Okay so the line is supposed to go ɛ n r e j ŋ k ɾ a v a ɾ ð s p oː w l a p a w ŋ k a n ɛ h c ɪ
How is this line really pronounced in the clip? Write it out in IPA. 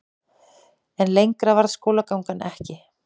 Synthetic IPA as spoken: ɛ n l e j ŋ k ɾ a v a ɾ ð s k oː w l a k a w ŋ k a n ɛ h c ɪ